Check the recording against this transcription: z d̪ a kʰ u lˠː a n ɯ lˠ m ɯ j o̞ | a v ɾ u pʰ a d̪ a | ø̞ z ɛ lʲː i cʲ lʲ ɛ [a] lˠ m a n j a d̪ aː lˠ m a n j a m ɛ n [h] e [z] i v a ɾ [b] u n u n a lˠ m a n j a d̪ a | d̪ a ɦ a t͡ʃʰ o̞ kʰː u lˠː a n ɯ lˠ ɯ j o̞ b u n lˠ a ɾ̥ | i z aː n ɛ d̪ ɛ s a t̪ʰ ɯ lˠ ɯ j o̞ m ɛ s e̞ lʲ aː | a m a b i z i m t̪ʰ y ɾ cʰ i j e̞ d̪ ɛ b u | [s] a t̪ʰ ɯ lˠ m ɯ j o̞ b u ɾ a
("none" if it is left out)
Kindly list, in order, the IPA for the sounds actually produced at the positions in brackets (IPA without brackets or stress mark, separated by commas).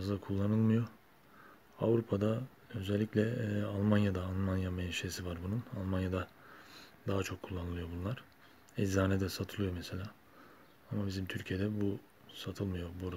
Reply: a, ʃ, s, b, s